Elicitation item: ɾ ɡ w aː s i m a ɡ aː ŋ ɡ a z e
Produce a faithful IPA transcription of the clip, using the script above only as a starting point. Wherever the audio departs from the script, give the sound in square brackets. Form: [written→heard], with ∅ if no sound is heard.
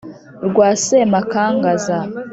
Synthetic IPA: ɾ ɡ w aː s [i→e] m a [ɡ→k] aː ŋ ɡ a z [e→a]